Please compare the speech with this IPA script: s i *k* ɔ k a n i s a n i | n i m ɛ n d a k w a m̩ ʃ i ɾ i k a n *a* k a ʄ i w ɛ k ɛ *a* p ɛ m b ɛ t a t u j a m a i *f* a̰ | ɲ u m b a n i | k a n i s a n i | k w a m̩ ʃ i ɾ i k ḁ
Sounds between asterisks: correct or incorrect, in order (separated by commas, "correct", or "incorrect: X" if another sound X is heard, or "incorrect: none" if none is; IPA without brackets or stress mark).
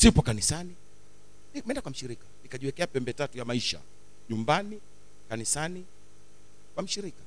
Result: incorrect: p, incorrect: i, correct, incorrect: ʃ